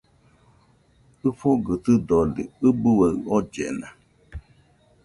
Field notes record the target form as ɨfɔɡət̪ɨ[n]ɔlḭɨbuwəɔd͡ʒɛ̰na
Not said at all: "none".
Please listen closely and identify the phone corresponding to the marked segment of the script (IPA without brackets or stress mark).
d